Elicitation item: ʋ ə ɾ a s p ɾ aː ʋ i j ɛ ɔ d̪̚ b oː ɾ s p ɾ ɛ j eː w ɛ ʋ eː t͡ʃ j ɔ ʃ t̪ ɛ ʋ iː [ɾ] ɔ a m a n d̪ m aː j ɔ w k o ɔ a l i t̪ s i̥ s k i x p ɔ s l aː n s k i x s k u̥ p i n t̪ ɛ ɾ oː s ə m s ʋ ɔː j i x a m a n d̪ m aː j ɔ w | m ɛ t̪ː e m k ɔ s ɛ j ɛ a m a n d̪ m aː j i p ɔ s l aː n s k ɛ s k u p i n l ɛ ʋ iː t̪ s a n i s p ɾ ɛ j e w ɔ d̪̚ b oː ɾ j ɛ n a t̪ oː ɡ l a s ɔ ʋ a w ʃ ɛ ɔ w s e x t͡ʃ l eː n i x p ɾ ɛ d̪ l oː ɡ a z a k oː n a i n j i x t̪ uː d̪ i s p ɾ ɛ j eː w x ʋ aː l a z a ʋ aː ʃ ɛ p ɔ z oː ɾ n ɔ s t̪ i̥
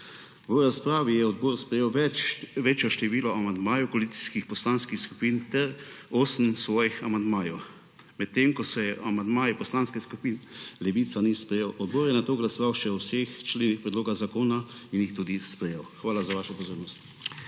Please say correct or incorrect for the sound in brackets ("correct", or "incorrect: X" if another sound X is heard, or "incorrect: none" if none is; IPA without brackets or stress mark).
incorrect: l